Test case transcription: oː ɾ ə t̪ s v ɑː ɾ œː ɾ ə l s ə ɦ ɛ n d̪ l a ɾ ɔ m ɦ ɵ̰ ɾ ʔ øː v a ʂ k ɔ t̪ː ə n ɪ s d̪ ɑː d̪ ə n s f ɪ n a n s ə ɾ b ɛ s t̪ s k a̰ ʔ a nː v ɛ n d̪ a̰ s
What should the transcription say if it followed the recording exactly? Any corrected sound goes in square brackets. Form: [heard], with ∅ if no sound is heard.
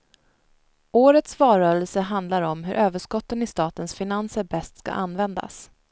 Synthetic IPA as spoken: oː ɾ ə t̪ s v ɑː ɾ œː ɾ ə l s ə ɦ [a] n d̪ l a ɾ ɔ m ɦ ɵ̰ ɾ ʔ øː v [ə] ʂ k ɔ t̪ː ə n ɪ s [t̪] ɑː [t̪] ə n s f ɪ n a n s ə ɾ b ɛ s t̪ s k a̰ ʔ a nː v ɛ n d̪ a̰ s